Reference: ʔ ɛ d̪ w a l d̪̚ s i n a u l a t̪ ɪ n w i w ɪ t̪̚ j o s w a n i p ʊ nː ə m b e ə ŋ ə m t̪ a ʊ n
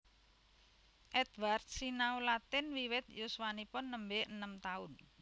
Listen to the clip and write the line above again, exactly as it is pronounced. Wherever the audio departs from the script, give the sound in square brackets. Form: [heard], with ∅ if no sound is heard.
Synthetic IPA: ʔ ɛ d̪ w a [r] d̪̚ s i n a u l a t̪ ɪ n w i w ɪ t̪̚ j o s w a n i p ʊ nː ə m b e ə [n] ə m t̪ a ʊ n